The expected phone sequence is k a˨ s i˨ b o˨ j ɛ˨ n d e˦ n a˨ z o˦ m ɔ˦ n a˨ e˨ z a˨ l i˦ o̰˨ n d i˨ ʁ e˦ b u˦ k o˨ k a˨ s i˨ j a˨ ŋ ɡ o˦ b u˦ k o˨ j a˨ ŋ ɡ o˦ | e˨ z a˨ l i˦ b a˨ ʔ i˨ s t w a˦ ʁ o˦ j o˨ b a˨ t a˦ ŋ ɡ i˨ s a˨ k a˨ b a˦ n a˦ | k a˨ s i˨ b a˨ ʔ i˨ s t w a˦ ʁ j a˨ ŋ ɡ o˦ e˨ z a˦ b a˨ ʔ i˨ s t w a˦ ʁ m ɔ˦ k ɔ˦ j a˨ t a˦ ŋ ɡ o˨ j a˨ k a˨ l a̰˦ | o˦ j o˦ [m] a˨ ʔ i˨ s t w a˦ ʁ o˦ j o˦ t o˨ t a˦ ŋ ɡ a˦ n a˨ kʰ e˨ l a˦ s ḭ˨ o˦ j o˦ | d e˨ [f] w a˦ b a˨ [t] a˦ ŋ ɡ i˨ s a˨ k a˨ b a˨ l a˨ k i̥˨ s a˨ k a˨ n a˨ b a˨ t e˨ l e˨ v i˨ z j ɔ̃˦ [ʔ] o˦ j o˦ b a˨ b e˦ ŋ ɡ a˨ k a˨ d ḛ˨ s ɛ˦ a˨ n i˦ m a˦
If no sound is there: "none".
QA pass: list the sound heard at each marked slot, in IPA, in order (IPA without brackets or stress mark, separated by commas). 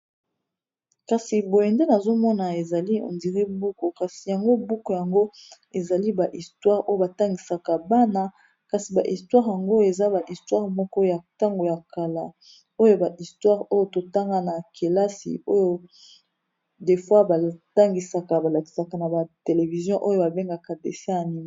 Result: b, f, t, ʔ